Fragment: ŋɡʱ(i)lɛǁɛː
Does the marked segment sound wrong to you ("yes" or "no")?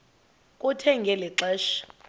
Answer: yes